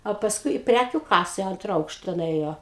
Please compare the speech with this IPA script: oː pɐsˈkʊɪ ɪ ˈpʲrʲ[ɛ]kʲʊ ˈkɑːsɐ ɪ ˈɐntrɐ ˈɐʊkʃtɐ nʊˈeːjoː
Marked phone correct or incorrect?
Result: incorrect